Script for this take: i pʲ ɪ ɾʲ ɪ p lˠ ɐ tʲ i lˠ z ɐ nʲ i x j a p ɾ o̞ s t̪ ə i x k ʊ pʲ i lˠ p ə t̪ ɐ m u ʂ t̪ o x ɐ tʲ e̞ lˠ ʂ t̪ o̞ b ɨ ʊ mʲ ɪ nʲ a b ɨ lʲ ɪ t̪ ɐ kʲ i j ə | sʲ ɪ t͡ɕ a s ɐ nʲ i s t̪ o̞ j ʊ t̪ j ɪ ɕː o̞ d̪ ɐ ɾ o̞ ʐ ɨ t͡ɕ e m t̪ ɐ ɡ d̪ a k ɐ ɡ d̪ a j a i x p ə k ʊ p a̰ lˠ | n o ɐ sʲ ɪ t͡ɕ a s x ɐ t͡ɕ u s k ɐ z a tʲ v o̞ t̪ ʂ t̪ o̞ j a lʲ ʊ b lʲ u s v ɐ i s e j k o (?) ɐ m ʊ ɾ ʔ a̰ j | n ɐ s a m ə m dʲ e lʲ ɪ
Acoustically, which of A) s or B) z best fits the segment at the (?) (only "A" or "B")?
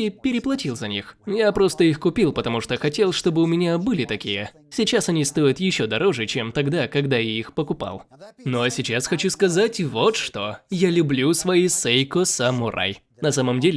A